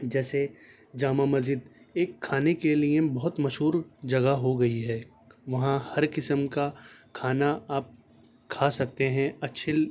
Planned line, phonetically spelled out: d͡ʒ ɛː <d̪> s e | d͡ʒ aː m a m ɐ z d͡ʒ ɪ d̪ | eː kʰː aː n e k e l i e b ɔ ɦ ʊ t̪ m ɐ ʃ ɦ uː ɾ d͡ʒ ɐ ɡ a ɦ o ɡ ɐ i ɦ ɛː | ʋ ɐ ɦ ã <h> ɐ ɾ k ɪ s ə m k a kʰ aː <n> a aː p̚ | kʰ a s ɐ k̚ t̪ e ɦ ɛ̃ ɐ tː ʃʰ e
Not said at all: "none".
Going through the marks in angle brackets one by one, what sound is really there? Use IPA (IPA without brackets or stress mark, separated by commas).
none, h, n